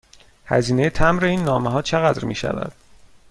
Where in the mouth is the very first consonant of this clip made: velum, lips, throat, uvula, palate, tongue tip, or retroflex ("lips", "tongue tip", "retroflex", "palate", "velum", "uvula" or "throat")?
throat